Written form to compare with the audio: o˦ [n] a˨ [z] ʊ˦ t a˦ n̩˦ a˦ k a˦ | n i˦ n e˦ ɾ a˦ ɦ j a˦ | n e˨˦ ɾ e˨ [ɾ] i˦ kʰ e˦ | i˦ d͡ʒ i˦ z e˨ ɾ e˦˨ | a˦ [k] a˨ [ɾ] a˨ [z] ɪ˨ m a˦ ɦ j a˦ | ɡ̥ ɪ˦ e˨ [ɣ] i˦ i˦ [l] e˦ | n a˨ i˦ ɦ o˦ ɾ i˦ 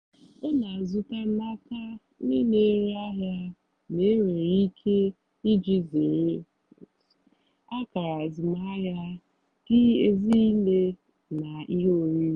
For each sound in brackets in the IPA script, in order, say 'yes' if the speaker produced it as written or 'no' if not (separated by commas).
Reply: yes, yes, yes, yes, yes, yes, no, yes